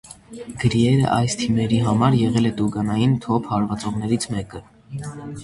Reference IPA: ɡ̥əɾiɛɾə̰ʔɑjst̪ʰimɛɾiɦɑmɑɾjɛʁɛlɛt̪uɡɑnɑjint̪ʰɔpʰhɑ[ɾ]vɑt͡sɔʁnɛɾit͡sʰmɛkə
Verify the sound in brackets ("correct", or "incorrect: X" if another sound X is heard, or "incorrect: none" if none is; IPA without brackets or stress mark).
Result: correct